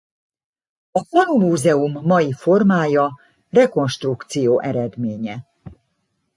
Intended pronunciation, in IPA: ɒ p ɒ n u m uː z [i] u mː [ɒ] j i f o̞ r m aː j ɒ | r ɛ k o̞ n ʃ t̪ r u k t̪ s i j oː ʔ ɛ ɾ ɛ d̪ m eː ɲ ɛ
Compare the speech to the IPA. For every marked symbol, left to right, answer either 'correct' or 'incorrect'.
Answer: incorrect, correct

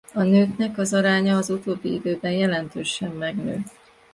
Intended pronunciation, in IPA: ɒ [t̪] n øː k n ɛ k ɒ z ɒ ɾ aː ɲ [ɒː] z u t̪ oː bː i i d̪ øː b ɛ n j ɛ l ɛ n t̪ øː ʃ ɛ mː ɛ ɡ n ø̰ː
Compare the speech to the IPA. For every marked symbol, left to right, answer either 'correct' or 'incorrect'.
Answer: incorrect, correct

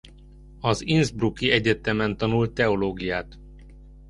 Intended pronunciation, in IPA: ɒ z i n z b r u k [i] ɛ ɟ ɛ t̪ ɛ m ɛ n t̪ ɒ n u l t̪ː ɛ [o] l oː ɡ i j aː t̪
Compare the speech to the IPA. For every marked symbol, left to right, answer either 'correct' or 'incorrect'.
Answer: correct, correct

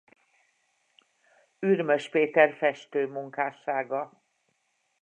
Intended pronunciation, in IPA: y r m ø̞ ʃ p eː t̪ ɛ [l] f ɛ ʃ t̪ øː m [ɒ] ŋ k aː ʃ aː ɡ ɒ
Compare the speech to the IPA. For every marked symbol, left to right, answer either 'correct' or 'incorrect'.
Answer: incorrect, incorrect

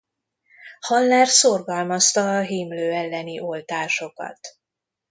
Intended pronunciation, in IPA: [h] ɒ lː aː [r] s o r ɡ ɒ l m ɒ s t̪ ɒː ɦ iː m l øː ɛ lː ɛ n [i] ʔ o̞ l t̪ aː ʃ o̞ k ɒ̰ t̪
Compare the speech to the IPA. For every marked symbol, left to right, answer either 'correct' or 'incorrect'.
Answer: correct, correct, correct

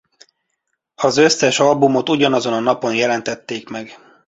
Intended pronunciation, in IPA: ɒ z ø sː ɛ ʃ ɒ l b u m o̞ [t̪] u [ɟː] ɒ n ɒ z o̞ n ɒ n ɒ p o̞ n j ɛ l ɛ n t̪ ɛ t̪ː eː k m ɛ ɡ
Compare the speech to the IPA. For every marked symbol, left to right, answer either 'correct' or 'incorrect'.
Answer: correct, incorrect

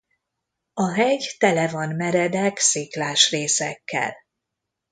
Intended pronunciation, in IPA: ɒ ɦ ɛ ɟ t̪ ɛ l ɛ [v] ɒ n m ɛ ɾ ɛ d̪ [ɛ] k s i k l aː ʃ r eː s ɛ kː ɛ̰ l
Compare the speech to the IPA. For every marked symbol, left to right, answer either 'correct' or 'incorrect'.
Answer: correct, correct

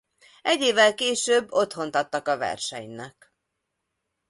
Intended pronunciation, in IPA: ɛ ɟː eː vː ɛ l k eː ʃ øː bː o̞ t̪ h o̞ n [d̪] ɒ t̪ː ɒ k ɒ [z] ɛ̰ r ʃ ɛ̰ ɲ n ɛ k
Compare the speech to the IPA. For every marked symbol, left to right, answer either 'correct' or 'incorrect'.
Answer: incorrect, incorrect

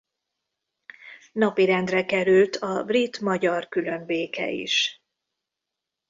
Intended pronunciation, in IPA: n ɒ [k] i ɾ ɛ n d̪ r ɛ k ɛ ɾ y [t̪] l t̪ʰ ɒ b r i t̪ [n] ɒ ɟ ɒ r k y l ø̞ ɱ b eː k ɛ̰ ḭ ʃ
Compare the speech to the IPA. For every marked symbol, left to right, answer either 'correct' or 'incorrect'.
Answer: incorrect, incorrect, incorrect

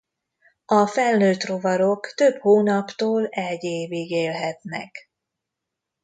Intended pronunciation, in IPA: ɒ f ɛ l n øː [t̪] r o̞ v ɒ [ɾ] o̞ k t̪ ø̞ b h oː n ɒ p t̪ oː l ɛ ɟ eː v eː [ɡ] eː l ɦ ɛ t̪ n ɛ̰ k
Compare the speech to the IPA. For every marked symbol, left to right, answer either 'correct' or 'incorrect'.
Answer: correct, correct, correct

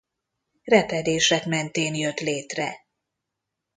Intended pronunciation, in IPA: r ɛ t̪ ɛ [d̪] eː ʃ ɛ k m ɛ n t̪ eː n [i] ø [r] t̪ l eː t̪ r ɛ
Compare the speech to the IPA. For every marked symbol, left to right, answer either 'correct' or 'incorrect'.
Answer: correct, incorrect, incorrect

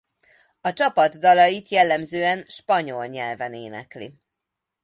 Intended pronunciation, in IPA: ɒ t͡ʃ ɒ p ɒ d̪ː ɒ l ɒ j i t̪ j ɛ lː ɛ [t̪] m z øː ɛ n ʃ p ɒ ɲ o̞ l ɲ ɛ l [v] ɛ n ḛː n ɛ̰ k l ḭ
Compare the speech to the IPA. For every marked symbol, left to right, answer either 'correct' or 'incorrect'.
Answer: incorrect, correct

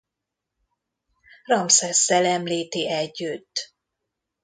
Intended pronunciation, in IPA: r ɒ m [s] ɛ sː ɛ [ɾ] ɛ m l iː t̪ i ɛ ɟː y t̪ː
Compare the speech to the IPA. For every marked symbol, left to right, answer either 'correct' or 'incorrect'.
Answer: correct, incorrect

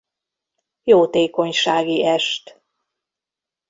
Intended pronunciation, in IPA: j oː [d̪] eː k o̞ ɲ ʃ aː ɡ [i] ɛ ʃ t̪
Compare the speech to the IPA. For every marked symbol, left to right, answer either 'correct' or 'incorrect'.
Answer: incorrect, correct

